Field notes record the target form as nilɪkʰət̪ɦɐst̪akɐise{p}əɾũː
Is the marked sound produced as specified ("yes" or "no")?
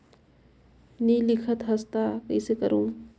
no